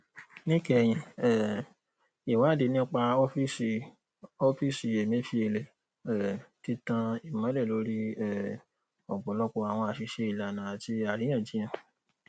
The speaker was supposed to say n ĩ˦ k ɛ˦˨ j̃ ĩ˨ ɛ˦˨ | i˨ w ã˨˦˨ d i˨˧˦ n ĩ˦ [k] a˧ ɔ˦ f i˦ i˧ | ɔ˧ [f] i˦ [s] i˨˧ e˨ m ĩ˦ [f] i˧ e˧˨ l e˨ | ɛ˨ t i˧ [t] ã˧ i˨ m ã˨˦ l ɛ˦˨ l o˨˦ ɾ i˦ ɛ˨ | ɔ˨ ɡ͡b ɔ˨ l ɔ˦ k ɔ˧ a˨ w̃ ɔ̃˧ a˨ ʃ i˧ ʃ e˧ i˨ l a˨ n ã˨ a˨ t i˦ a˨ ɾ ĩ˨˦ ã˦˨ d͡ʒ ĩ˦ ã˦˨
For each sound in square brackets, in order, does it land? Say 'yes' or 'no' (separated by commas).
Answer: no, yes, yes, yes, yes